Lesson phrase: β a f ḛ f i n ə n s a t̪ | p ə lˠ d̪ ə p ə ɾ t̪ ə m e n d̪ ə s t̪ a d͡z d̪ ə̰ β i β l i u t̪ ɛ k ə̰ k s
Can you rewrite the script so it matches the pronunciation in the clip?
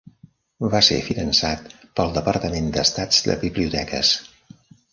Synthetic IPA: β a s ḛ f i n ə n s a t̪ | p ə lˠ d̪ ə p ə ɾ t̪ ə m e n d̪ ə s t̪ a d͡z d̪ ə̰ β i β l i u t̪ ɛ k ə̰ s